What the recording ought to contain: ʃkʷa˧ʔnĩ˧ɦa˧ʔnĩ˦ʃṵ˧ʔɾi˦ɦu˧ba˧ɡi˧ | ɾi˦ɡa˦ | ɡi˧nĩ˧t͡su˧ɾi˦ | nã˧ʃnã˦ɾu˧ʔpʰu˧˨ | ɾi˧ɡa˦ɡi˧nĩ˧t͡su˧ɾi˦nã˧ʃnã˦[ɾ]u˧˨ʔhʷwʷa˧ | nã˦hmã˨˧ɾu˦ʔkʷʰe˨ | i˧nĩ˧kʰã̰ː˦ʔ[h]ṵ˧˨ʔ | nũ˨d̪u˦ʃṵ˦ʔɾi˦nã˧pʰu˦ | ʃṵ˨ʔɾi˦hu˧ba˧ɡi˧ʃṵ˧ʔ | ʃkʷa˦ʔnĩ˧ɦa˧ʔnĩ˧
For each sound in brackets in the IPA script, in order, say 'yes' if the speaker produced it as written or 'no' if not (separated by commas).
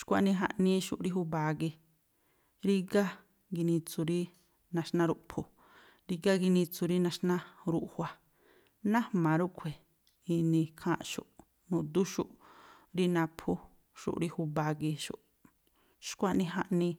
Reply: yes, no